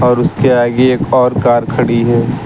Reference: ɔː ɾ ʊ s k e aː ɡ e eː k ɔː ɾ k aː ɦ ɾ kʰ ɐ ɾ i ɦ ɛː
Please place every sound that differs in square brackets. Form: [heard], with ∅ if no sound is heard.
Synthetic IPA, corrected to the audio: ɔː ɾ ʊ s k e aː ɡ e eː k ɔː ɾ k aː [∅] ɾ kʰ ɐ [ɽ] i ɦ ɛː